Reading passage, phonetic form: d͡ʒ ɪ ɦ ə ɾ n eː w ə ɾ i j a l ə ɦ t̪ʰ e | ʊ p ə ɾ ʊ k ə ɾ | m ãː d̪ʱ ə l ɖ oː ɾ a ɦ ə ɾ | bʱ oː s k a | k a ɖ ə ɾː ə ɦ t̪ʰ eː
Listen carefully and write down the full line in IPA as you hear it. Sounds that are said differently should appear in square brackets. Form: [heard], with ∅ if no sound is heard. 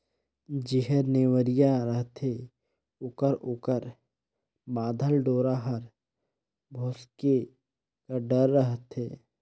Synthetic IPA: d͡ʒ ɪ ɦ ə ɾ n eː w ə ɾ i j a [ɾ] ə ɦ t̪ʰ e | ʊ [k] ə ɾ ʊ k ə ɾ | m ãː d̪ʱ ə l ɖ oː ɾ a ɦ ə ɾ | bʱ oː s k [e] | k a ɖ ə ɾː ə ɦ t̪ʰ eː